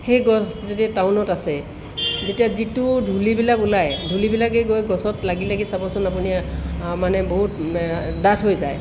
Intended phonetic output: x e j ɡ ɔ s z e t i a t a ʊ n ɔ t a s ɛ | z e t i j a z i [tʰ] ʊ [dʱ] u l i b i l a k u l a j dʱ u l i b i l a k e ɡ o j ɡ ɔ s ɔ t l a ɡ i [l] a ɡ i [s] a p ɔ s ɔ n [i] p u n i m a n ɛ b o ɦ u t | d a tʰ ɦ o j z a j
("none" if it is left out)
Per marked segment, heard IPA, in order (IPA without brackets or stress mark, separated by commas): t, dʱ, l, s, a